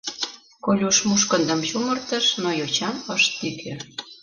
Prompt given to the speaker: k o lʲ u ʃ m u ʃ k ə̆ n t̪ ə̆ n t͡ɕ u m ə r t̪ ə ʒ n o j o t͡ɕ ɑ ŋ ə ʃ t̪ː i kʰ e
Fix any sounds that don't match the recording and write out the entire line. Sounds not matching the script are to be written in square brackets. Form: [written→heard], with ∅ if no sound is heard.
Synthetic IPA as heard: k o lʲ u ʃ m u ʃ k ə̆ n [t̪→d̪] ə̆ [n→m] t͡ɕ u m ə r t̪ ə [ʒ→ʃ] n o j o t͡ɕ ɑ [ŋ→m] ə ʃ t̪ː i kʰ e